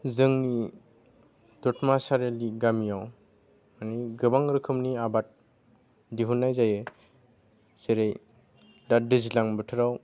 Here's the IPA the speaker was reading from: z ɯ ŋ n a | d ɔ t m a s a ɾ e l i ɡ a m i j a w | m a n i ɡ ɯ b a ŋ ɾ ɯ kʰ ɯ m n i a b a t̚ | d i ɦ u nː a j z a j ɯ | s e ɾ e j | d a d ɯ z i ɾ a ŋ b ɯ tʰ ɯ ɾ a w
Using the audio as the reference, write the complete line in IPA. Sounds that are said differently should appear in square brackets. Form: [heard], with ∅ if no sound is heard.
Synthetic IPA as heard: z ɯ ŋ n [i] | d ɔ t m a s a ɾ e l i ɡ a m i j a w | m a n i ɡ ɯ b a ŋ ɾ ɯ kʰ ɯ m n i a b a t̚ | d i ɦ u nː a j z a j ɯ | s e ɾ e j | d a d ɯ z i [l] a ŋ b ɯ tʰ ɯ ɾ a w